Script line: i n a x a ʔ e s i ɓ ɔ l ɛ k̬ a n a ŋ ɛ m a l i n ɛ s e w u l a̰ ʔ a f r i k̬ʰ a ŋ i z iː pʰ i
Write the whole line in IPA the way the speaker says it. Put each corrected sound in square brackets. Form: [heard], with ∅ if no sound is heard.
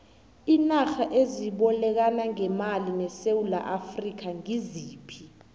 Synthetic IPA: i n a x a ʔ e [z] i ɓ ɔ l ɛ k̬ a n a ŋ ɛ m a l i n ɛ s e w u l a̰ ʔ a f r i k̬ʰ a ŋ i z iː pʰ i